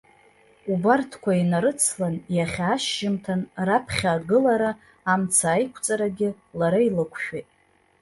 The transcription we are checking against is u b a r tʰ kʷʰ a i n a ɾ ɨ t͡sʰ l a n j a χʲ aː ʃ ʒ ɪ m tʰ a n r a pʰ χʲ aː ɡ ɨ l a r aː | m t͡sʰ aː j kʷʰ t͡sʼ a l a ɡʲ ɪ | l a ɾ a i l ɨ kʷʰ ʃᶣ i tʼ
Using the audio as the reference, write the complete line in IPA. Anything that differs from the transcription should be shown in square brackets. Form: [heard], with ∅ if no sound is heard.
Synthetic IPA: u b a r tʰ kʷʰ a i n a ɾ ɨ t͡sʰ l a n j a χʲ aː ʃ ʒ ɪ m tʰ a n r a pʰ χʲ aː ɡ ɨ l a [ɾ] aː | m t͡sʰ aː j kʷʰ t͡sʼ a [ɾ] a ɡʲ ɪ | l a ɾ a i l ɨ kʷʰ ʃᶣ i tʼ